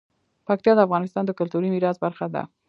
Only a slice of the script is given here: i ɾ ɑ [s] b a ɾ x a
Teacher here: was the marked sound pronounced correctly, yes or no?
no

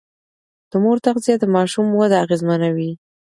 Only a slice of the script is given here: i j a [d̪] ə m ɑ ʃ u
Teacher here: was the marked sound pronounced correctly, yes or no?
yes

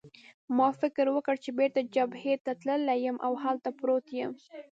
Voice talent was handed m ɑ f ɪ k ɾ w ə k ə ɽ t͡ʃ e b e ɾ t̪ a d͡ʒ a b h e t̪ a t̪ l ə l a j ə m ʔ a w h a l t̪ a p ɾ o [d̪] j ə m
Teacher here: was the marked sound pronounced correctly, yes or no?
no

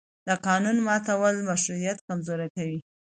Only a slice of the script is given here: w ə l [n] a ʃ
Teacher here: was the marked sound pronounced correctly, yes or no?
no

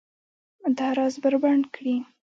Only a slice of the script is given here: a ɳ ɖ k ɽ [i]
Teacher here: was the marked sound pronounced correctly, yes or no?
yes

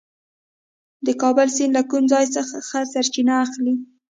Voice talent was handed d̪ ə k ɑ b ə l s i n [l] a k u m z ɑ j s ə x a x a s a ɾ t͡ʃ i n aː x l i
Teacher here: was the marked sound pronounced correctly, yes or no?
yes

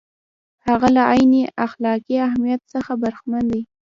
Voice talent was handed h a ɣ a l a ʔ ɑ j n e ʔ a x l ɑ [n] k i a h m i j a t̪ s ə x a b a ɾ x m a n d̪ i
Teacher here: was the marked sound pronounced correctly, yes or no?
no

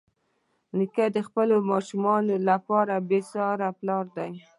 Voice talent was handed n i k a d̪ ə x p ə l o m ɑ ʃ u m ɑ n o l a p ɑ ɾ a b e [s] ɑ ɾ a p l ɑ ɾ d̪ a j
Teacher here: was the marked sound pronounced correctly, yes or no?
yes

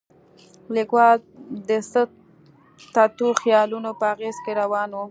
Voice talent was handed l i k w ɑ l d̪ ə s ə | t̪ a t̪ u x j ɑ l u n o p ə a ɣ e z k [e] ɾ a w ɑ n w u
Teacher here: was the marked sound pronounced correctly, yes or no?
yes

